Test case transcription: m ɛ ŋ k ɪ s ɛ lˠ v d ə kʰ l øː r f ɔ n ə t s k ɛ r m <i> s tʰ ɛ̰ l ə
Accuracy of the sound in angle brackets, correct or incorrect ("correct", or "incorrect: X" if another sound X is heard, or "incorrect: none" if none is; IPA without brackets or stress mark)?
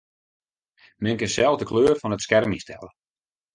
correct